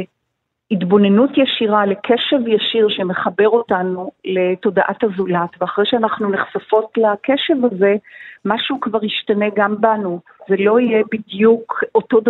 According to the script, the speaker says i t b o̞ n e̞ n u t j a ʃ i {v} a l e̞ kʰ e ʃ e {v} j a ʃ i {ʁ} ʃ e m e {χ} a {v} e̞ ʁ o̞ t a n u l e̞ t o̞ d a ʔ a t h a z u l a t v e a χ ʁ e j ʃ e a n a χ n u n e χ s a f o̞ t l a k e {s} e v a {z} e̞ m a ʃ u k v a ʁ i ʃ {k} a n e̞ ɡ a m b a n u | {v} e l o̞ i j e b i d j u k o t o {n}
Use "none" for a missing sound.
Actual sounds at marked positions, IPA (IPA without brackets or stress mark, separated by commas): ʁ, v, ʁ, χ, b, ʃ, z, t, z, d